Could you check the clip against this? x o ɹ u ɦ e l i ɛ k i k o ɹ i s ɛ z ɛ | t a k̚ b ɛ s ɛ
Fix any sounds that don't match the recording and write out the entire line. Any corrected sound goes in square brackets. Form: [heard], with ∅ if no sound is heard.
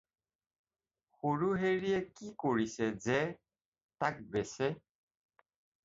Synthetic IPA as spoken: x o ɹ u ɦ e [ɹ] i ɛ k i k o ɹ i s ɛ z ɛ | t a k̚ b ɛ s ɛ

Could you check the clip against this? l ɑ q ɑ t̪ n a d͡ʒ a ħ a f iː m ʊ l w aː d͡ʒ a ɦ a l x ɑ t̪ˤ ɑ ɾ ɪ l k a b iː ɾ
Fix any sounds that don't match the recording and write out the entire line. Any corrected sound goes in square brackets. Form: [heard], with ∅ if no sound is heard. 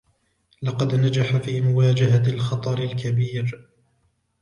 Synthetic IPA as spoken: l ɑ q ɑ [d̪] n a d͡ʒ a ħ a f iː m ʊ [∅] w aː d͡ʒ a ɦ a l x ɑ t̪ˤ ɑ ɾ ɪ l k a b iː ɾ

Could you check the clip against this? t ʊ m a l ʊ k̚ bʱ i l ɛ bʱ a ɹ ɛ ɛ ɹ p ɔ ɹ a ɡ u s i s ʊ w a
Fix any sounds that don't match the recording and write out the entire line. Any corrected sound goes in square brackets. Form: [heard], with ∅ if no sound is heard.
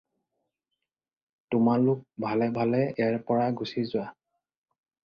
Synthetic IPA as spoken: t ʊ m a l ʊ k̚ bʱ [a] l ɛ bʱ a [l] ɛ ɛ ɹ p ɔ ɹ a ɡ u s i [z] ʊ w a

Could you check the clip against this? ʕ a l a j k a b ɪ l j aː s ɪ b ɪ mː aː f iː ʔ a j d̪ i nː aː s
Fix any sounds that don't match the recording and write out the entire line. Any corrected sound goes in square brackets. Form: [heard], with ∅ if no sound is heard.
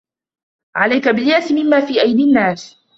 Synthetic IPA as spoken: ʕ a l a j k a b ɪ l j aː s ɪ [m] ɪ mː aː f iː ʔ a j d̪ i nː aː s

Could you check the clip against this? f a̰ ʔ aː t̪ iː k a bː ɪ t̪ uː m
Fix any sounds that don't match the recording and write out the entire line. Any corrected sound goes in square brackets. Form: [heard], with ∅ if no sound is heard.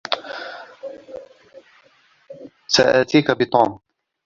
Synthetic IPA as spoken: [s] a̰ ʔ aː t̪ iː k a [b] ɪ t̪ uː m

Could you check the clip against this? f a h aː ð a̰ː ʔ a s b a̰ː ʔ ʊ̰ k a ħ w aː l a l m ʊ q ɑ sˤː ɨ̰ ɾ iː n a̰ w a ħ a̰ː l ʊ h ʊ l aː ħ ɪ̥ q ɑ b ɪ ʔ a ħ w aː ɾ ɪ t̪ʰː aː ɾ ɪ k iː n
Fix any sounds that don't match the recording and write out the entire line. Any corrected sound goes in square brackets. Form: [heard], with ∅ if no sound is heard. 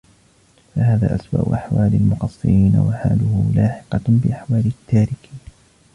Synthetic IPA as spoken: f a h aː ð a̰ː ʔ a s b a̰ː ʔ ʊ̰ [ʔ] a ħ w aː l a l m ʊ q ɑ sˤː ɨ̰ ɾ iː n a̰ w a ħ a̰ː l ʊ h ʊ l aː ħ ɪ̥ q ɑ b ɪ ʔ a ħ w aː [l] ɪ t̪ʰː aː ɾ ɪ k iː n

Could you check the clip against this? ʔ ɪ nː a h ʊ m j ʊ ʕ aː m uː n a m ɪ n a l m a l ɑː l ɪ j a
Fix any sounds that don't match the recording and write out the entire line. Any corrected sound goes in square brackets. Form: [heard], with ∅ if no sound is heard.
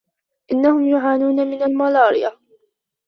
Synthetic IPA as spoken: ʔ ɪ nː a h ʊ m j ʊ ʕ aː [n] uː n a m ɪ n a l m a l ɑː [ɾ] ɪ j a

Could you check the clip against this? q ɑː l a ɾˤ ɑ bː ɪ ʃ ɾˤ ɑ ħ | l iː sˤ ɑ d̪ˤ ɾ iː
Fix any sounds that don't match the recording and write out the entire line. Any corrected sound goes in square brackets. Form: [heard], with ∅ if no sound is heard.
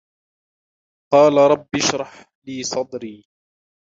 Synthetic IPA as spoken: q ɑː l a ɾˤ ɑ bː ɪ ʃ ɾˤ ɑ ħ | l iː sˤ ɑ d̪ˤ ɾ iː

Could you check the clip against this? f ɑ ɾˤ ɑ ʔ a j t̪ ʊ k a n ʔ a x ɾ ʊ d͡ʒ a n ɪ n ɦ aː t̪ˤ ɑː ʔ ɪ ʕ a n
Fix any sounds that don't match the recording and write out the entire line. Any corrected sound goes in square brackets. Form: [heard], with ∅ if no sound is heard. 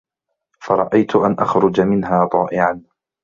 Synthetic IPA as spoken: f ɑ ɾˤ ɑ ʔ a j t̪ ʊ [ʔ] a n ʔ a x ɾ ʊ d͡ʒ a [m] ɪ n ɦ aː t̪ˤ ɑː ʔ ɪ ʕ a n

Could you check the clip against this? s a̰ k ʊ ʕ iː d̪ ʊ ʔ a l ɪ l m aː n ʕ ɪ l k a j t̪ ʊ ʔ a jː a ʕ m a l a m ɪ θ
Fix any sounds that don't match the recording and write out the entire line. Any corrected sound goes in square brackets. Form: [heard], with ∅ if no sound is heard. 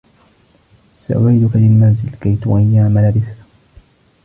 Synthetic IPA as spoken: s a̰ [ʔ] ʊ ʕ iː d̪ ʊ [k] a l ɪ l m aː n [z] ɪ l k a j t̪ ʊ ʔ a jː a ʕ m a l a [b] ɪ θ

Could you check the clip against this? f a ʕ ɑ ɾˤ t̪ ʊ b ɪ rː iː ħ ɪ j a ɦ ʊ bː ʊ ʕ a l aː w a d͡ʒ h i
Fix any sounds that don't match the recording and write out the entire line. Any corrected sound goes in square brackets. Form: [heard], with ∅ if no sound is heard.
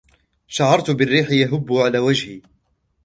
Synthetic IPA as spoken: [ʃ] a ʕ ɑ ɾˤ t̪ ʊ b ɪ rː iː ħ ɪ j a ɦ ʊ bː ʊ ʕ a l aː w a d͡ʒ h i

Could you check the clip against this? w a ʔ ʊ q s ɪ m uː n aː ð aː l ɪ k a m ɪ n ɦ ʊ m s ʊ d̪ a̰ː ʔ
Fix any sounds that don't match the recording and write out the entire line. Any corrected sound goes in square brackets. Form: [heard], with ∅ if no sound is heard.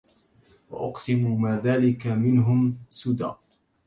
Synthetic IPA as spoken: w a ʔ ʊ q s ɪ m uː [m] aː ð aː l ɪ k a m ɪ n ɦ ʊ m s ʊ d̪ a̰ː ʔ

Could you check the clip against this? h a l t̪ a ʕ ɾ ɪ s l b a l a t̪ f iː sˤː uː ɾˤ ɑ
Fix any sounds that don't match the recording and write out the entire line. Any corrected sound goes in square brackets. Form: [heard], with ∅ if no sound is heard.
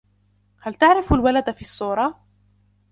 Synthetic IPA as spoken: h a l t̪ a ʕ ɾ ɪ [f] l [w] a l a [d̪] f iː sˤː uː ɾˤ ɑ

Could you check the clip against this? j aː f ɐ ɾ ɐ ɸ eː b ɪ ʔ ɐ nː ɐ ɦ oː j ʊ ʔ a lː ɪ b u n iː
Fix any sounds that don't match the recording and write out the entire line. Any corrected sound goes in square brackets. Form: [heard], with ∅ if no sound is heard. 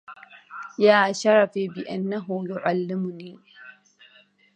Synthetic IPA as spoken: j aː [ʃ] ɐ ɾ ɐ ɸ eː b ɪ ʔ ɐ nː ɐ ɦ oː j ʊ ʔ a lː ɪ [m] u n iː

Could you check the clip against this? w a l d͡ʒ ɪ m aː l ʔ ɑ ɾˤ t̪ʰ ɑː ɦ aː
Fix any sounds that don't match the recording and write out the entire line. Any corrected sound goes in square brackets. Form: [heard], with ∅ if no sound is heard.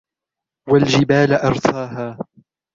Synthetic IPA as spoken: w a l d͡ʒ ɪ [b] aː l ʔ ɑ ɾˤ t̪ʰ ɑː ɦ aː

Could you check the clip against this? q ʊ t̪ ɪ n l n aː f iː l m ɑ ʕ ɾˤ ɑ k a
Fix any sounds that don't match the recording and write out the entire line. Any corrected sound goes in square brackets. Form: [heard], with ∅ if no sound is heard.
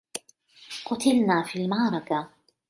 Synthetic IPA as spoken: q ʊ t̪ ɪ [∅] l n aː f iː l m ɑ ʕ ɾˤ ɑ k a

